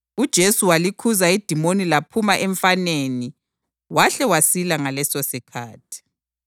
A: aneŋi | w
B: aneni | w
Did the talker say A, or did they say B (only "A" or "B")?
B